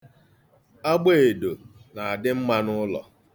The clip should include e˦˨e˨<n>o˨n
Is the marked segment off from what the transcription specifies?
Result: yes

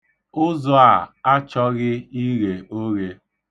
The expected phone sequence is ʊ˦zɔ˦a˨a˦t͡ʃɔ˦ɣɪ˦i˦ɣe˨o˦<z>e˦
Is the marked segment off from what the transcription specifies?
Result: yes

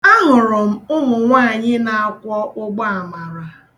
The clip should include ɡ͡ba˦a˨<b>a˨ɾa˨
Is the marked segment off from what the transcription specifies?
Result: yes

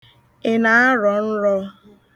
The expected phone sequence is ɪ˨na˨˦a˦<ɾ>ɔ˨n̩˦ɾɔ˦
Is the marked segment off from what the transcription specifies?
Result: no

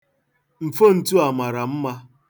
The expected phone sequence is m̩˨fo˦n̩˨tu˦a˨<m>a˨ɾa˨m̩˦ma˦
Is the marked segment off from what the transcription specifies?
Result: no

